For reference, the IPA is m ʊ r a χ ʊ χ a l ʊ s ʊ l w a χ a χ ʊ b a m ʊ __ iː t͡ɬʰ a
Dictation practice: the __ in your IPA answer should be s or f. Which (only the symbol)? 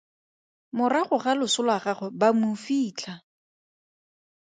f